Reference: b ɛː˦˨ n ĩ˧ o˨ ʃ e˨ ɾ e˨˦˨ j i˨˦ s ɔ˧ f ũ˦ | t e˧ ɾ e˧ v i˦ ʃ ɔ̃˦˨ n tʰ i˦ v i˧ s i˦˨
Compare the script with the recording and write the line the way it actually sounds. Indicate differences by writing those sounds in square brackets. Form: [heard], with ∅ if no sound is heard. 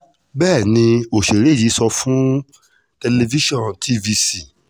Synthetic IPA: b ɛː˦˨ n ĩ˧ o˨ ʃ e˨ ɾ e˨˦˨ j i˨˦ s ɔ˧ f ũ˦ | t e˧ [l] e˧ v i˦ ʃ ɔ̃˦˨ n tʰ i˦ v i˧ s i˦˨